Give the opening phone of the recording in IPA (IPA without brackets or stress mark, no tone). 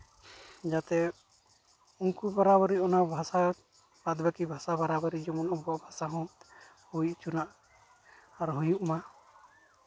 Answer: d͡ʒ